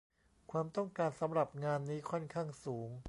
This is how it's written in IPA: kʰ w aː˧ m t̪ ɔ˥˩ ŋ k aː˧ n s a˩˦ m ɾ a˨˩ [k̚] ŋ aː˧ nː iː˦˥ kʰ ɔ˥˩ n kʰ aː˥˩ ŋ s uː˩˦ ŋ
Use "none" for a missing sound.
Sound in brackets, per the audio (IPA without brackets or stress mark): p̚